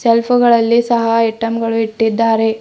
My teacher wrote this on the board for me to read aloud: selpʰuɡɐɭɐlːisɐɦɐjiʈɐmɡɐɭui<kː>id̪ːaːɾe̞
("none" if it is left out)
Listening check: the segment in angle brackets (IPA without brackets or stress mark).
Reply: ʈː